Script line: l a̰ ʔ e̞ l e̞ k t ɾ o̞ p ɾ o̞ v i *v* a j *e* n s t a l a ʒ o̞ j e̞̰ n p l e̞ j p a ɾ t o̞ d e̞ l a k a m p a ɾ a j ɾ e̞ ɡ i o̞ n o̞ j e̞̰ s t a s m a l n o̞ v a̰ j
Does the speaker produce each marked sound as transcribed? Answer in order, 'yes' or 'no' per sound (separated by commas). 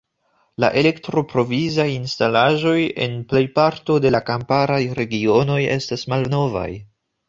no, no